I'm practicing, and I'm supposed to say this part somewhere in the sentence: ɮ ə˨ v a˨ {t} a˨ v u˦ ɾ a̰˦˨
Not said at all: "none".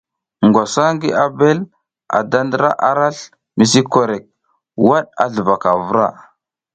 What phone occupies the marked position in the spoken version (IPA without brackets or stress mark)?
k